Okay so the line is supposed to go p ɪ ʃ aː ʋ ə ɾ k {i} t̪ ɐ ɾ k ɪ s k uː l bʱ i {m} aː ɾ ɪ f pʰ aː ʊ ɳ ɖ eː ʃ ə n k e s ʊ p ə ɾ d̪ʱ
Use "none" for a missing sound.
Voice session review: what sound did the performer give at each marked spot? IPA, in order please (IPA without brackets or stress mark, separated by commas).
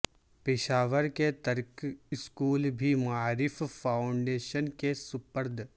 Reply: e, m